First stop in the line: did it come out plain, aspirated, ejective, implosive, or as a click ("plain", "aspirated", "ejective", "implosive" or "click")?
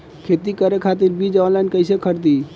aspirated